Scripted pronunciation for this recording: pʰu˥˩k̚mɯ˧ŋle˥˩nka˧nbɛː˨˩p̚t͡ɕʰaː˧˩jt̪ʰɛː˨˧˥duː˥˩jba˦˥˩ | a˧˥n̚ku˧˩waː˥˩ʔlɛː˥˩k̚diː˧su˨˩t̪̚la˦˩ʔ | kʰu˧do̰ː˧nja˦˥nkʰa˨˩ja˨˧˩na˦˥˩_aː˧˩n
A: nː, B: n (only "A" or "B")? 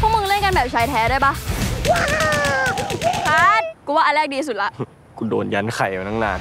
B